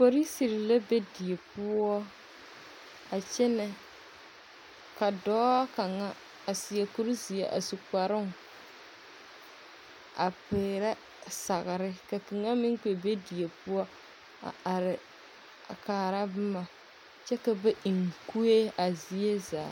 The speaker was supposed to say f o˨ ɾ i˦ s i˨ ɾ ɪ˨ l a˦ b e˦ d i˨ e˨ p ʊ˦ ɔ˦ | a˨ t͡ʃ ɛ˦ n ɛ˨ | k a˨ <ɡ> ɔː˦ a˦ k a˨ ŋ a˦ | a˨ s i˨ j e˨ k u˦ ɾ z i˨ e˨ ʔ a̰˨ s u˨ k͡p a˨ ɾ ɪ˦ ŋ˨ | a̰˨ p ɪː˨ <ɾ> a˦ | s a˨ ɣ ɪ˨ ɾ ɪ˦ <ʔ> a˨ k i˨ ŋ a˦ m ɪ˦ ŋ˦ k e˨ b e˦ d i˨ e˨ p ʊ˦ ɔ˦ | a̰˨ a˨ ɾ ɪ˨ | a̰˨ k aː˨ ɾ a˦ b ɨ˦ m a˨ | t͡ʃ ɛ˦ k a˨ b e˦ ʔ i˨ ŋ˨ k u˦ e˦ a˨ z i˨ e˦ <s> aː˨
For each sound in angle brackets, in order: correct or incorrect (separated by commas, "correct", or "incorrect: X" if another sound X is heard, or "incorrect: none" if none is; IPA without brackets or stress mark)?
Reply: incorrect: d, correct, incorrect: k, incorrect: z